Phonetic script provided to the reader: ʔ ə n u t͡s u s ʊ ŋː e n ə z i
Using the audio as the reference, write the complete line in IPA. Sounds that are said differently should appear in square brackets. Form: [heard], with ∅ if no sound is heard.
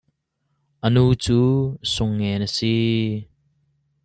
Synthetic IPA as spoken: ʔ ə n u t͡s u s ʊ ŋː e n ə [s] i